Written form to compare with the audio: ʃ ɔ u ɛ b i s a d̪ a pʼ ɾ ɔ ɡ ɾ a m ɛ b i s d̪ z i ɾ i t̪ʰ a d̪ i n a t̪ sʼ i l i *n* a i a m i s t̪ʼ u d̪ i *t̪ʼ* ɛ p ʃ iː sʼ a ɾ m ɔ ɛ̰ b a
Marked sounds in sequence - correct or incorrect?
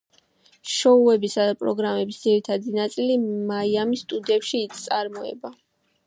incorrect: m, incorrect: none

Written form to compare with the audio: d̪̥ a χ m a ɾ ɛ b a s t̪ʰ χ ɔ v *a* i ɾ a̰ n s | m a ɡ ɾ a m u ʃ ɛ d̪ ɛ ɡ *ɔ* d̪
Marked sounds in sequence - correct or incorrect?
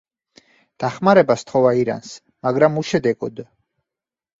correct, correct

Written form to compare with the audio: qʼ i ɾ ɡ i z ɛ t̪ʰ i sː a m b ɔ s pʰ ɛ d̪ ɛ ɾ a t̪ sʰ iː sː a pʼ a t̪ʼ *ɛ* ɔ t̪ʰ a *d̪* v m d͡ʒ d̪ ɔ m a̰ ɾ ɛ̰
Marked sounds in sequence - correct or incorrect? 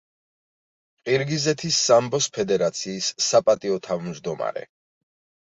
incorrect: i, incorrect: none

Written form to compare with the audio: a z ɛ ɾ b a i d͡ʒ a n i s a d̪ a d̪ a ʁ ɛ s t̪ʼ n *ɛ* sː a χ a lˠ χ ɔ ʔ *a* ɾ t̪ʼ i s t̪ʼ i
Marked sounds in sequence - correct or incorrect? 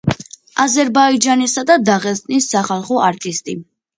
incorrect: i, correct

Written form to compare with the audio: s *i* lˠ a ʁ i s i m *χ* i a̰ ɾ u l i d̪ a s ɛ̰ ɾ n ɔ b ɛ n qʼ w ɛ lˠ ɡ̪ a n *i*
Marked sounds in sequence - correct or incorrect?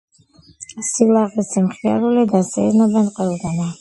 correct, correct, incorrect: a

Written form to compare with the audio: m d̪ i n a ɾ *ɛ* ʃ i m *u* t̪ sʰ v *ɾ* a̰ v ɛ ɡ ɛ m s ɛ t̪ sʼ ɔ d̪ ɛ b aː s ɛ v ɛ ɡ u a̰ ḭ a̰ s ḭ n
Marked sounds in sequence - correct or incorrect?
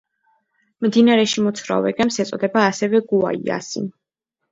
correct, incorrect: ɔ, correct

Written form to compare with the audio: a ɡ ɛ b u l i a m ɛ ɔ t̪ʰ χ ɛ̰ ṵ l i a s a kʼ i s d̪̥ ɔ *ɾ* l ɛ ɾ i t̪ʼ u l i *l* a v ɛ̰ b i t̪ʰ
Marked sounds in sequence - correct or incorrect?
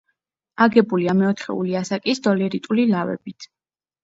incorrect: none, correct

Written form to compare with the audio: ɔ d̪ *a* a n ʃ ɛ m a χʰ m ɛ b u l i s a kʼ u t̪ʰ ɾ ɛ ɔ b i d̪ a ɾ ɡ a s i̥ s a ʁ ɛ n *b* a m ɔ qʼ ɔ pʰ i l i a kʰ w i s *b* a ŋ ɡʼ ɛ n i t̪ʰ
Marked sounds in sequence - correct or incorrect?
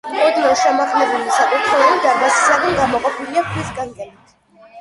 incorrect: i, incorrect: ɡ, incorrect: ɡ

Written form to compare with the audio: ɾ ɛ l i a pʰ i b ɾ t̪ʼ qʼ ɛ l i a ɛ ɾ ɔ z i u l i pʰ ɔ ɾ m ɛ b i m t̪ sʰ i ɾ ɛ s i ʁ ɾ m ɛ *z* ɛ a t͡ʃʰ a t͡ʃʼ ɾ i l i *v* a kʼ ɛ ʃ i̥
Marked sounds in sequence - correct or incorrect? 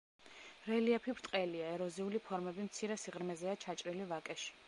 correct, correct

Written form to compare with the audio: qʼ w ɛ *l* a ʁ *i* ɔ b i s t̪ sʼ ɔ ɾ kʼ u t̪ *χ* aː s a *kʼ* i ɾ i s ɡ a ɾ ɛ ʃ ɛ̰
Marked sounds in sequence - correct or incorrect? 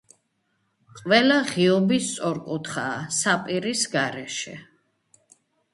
correct, correct, correct, incorrect: pʼ

